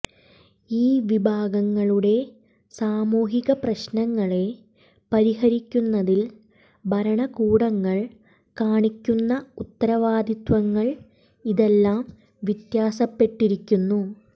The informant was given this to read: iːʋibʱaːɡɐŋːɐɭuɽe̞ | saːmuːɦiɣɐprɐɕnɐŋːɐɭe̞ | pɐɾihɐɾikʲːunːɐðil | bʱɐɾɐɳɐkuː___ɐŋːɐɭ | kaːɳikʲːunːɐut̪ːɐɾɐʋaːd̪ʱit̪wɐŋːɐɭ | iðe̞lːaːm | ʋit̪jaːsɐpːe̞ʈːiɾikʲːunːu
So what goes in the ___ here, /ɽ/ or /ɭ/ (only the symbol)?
ɽ